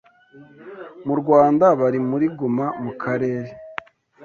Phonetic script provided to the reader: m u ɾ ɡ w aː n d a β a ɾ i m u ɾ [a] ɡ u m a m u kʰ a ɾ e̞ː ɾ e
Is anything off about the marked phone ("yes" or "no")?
yes